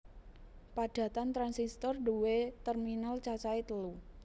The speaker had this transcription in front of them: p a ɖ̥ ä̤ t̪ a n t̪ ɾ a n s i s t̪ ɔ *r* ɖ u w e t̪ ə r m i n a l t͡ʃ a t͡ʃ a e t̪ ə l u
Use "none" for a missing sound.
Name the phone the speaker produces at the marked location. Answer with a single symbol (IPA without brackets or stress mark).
r